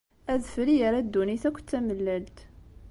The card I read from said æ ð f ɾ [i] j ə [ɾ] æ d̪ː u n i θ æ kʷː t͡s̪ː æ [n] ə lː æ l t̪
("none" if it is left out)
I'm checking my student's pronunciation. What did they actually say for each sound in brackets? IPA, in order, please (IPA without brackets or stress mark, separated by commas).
i, ɾ, m